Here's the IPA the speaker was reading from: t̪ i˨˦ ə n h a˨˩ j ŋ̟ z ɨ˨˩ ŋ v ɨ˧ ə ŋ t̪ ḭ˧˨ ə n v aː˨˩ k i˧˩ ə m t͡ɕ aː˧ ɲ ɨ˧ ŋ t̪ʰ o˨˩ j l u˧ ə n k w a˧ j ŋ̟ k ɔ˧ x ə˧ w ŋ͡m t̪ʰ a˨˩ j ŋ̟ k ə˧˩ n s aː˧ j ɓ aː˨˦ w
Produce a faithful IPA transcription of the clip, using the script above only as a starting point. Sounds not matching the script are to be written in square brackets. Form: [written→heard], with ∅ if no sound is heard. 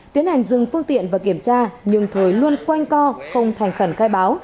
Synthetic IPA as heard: t̪ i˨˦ ə n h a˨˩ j ŋ̟ z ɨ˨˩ ŋ [v→f] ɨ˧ ə ŋ t̪ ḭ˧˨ ə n v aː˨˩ k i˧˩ ə m t͡ɕ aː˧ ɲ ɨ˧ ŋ t̪ʰ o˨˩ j l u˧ ə n k w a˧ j ŋ̟ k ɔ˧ x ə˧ w ŋ͡m t̪ʰ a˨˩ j ŋ̟ [k→x] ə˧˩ n [s→x] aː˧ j ɓ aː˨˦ w